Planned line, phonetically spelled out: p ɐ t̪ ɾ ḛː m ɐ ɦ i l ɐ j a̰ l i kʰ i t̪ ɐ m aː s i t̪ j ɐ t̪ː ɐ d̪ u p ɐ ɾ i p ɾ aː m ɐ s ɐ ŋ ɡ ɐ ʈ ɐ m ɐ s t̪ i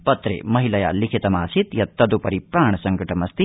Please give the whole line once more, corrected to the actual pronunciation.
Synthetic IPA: p ɐ t̪ ɾ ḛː m ɐ ɦ i l ɐ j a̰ l i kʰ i t̪ ɐ m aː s i t̪ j ɐ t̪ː ɐ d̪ u p ɐ ɾ i p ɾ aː ɳ ɐ s ɐ ŋ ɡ ɐ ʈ ɐ m ɐ s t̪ i